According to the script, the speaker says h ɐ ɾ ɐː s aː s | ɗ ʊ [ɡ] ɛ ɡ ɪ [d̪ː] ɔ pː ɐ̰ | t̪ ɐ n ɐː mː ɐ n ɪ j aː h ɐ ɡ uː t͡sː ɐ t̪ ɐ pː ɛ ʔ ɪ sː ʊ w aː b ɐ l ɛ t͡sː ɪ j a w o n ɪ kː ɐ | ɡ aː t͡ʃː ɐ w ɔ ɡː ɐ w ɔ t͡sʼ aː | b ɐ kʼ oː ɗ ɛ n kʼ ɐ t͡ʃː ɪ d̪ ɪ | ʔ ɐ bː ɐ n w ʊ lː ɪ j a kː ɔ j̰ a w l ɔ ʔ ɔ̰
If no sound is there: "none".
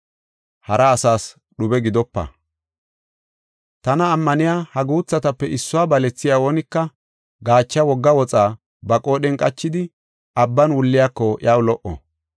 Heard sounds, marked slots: b, d̪

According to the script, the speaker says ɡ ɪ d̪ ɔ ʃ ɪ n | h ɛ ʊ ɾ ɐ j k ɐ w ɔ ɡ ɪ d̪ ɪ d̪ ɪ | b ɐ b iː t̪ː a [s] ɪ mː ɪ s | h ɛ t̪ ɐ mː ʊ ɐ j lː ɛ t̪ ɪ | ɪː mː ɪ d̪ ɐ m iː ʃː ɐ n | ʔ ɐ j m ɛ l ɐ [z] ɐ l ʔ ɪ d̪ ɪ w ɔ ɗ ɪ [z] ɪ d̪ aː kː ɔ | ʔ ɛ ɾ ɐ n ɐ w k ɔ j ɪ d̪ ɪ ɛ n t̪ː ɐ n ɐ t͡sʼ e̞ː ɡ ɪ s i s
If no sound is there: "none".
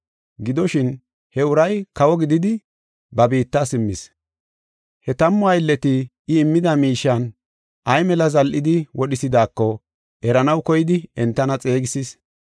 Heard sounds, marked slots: s, z, s

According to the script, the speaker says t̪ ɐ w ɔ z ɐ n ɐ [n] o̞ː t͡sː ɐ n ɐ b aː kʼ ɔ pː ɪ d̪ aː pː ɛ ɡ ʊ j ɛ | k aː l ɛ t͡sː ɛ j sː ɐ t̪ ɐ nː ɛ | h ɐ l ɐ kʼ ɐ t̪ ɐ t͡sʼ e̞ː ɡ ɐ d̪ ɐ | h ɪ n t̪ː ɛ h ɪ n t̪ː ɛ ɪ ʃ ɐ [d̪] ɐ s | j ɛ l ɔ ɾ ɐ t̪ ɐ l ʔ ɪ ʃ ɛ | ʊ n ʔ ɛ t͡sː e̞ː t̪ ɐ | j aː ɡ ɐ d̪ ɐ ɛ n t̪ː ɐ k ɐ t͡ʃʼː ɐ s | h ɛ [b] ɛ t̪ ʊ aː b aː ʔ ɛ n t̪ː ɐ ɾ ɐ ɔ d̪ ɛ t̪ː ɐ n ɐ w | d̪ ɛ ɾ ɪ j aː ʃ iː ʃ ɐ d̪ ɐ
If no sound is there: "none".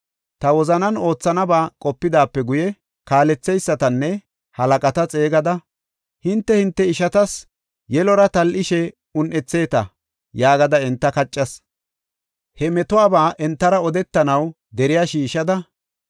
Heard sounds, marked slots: n, t̪, m

